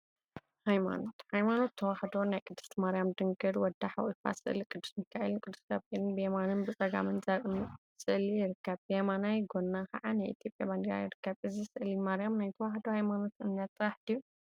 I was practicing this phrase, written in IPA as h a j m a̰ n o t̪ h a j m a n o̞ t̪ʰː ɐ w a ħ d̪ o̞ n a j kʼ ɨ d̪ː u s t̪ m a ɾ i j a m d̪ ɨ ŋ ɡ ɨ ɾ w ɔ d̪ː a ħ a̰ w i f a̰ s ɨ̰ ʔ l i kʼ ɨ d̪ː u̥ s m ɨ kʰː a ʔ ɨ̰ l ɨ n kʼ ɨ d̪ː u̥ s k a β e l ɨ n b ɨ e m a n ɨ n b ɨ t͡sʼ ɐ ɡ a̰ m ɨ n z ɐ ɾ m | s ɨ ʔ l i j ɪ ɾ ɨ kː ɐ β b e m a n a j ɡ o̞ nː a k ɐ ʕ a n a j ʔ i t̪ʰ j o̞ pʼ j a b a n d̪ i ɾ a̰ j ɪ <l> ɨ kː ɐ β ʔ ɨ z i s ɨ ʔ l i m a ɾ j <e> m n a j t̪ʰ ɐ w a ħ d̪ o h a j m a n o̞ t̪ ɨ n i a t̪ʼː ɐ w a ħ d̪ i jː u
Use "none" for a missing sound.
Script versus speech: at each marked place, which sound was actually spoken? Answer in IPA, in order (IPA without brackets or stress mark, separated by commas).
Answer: ɾ, a